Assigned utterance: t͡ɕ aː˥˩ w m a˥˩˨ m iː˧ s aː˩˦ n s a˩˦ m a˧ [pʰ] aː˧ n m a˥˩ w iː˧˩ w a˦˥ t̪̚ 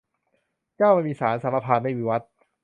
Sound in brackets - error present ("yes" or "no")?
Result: no